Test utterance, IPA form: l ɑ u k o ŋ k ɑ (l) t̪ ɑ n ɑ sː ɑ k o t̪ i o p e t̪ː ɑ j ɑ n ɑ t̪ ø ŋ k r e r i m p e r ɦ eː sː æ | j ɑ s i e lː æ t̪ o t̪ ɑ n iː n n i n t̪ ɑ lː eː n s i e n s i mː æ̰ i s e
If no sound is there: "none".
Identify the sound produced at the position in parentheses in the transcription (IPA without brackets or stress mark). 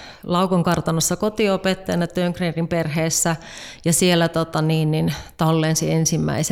r